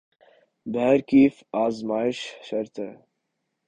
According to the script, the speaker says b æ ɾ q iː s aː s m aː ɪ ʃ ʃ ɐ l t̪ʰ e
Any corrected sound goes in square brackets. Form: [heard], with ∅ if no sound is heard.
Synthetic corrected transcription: b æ ɾ [k] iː [f] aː [z] m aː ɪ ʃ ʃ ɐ [ɾ] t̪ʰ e

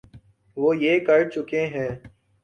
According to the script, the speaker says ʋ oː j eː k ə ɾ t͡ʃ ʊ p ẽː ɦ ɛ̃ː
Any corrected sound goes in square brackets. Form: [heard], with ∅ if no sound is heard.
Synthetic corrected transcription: ʋ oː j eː k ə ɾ t͡ʃ ʊ [k] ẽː ɦ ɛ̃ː

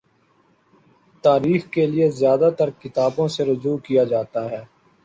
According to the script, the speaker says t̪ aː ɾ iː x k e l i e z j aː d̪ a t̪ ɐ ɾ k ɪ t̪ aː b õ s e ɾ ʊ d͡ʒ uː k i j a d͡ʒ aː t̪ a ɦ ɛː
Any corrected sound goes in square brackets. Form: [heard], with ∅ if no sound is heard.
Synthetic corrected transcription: t̪ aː ɾ iː x k e l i e z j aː d̪ a t̪ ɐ ɾ k ɪ t̪ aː b õ s e ɾ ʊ d͡ʒ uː k i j a d͡ʒ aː t̪ a ɦ ɛː

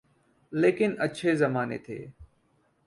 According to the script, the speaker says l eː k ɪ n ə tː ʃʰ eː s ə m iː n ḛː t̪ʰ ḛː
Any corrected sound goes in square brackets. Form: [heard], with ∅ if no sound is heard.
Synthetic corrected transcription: l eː k ɪ n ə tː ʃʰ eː [z] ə m [aː] n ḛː t̪ʰ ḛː

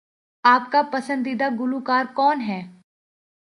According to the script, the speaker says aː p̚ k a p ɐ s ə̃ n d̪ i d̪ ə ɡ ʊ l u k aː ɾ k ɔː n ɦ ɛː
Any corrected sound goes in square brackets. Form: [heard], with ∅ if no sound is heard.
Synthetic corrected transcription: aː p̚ k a p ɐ s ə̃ n d̪ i d̪ [a] ɡ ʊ l u k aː ɾ k ɔː n ɦ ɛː

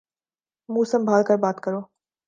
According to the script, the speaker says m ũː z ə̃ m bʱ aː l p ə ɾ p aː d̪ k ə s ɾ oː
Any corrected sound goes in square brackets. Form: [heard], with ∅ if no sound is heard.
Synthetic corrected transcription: m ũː [s] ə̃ m bʱ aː l [k] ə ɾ [b] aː [t̪] k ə [∅] ɾ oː

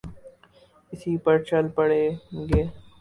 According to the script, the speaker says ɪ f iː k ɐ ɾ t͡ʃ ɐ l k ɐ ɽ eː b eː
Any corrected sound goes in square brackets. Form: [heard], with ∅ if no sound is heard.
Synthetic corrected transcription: ɪ [s] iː [p] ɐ ɾ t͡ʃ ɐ l [p] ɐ ɽ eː [ɡ] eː

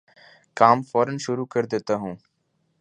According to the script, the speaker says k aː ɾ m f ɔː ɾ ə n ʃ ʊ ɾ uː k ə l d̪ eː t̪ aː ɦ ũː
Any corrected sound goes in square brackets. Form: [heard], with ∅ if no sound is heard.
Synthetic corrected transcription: k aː [∅] m f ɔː ɾ ə n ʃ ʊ ɾ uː k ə [ɾ] d̪ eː t̪ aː ɦ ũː

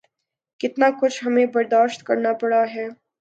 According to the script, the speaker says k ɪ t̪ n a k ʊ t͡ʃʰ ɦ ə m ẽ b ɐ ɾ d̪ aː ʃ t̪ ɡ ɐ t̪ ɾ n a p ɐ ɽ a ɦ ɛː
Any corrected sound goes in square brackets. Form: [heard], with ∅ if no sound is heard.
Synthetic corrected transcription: k ɪ t̪ n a k ʊ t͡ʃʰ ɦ [ɐ] m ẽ b ɐ ɾ d̪ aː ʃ t̪ [k] ɐ [∅] ɾ n a p ɐ ɽ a ɦ ɛː

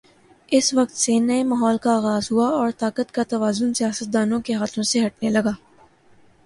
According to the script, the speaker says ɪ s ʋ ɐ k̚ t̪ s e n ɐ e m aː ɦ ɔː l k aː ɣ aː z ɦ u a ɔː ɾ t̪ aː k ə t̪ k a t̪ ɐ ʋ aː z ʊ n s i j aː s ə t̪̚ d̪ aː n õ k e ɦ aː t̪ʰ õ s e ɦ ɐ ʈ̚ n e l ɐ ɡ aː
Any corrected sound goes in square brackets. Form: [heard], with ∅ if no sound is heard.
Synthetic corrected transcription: ɪ s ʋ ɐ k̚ t̪ s e n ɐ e m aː ɦ ɔː l k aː ɣ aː z ɦ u a ɔː ɾ t̪ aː k ə t̪ k a t̪ ɐ ʋ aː z ʊ n s i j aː s ə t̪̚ d̪ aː n õ k e ɦ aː t̪ʰ õ s e ɦ ɐ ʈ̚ n e l ɐ ɡ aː

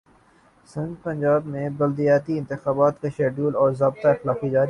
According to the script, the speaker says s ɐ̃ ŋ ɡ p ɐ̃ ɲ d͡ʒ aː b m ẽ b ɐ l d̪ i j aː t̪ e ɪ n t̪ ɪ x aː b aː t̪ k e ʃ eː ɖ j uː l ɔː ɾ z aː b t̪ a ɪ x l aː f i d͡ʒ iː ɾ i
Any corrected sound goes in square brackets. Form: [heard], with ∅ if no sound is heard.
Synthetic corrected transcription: s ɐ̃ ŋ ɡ p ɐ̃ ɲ d͡ʒ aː b m ẽ b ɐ l d̪ i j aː t̪ [i] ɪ n t̪ ɪ x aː b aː t̪ k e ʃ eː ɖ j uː l ɔː ɾ z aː b t̪ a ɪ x l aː f i d͡ʒ [aː] ɾ i

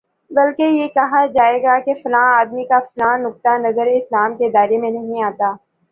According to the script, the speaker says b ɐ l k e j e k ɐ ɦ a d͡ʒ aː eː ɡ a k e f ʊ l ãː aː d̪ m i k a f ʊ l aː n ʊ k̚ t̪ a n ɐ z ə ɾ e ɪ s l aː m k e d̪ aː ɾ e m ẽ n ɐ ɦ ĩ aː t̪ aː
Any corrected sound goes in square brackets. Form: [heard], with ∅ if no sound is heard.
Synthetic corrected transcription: b ɐ l k e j e k ɐ ɦ a d͡ʒ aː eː ɡ a k e f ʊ l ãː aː d̪ m i k a f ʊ l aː n ʊ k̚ t̪ a n ɐ z ə ɾ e ɪ s l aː m k e d̪ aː ɾ e m ẽ n ɐ ɦ ĩ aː t̪ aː

